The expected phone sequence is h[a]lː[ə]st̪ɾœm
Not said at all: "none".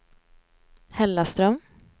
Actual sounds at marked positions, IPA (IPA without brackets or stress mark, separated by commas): ɛ, a